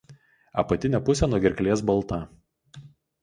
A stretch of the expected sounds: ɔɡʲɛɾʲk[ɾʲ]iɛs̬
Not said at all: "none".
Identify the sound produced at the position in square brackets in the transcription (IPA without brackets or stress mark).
lʲ